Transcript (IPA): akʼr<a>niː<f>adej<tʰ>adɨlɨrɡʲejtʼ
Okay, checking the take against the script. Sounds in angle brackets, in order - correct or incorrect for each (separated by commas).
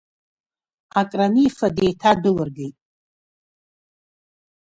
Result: correct, correct, correct